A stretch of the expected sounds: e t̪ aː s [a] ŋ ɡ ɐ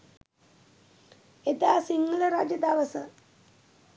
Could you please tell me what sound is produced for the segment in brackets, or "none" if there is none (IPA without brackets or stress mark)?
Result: i